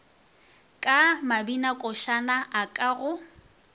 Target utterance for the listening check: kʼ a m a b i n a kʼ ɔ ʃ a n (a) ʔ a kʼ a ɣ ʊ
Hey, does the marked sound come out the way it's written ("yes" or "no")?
yes